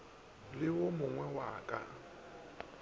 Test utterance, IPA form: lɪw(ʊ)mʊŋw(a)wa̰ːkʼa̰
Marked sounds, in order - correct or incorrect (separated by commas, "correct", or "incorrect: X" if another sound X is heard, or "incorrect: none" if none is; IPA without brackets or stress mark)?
correct, incorrect: ɛ